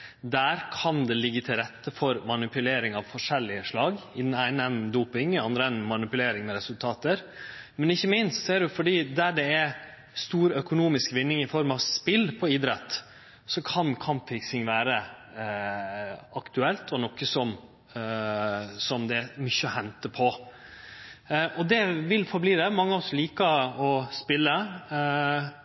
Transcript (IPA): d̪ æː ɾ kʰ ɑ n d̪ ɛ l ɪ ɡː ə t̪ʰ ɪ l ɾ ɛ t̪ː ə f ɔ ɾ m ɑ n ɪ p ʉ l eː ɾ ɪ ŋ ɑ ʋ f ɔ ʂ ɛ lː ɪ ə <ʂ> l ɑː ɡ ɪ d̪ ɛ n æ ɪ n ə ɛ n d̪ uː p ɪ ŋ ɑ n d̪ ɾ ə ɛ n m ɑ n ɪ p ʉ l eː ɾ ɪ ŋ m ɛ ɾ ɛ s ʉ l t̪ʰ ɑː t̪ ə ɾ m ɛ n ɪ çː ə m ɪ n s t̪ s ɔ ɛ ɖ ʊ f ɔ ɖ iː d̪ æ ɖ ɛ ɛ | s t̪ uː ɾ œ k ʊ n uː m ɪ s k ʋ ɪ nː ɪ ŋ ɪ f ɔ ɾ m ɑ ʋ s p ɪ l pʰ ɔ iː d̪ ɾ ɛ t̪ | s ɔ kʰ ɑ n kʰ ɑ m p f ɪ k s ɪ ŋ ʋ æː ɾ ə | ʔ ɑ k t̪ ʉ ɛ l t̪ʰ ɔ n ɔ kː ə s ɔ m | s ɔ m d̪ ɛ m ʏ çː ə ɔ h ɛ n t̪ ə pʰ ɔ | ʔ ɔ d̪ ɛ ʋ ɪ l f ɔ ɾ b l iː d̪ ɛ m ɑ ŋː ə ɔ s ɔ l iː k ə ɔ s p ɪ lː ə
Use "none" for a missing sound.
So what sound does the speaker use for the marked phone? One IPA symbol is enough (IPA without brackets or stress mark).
ʂ